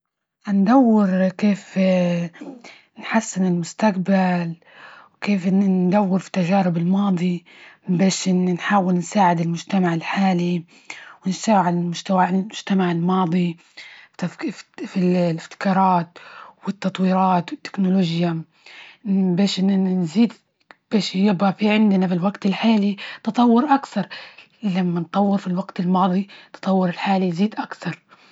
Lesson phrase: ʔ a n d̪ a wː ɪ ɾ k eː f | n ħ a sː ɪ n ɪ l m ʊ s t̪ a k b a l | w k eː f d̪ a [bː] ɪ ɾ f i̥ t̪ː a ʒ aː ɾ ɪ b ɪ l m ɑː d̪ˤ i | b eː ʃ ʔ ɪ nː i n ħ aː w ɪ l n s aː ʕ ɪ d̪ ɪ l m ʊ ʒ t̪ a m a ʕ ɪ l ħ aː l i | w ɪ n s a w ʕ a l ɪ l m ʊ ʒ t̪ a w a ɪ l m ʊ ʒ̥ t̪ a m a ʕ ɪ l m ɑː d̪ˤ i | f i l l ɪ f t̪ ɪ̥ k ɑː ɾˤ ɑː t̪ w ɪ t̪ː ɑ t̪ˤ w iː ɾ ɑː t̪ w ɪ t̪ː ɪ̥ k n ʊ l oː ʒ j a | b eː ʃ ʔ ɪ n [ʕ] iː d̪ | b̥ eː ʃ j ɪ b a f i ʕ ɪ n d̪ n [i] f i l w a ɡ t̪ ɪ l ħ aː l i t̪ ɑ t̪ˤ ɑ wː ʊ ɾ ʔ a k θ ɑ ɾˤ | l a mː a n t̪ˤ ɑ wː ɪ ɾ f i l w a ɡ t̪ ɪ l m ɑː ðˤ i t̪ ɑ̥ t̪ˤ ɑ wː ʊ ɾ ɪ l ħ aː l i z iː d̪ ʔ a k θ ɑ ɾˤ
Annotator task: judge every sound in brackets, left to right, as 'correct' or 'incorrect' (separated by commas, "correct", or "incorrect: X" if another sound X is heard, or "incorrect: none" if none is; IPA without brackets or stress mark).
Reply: incorrect: wː, incorrect: z, incorrect: a